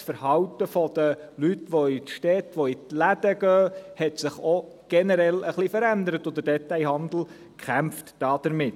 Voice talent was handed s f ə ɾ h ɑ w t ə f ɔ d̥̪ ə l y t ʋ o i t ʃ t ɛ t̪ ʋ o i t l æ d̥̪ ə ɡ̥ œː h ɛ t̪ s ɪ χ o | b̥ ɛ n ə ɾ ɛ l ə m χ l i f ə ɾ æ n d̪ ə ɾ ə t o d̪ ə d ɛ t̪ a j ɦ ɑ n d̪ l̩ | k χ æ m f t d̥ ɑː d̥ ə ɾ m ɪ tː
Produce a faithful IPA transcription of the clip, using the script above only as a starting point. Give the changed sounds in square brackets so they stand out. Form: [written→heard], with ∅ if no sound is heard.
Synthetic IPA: s f ə ɾ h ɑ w t ə f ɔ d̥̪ ə l y t ʋ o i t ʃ t ɛ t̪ ʋ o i t l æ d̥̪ ə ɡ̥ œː h ɛ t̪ s ɪ χ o | [b̥→ɡ̥] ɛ n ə ɾ ɛ l ə [m→∅] χ l i f ə ɾ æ n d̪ ə ɾ ə t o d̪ ə d ɛ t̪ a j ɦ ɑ n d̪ l̩ | k χ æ m f t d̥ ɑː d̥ ə ɾ m ɪ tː